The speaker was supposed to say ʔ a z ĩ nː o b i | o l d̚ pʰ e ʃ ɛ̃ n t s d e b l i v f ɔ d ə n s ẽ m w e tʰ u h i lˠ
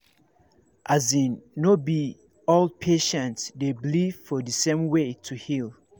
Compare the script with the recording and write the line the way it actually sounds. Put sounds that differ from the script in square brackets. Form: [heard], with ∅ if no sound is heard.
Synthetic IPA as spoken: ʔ a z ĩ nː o b i | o l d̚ pʰ e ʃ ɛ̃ n t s d e b l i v f ɔ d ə [∅] s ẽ m w e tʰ u h i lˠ